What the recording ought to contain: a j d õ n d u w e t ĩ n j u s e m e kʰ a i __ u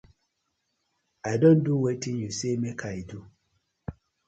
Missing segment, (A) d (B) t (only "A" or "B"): A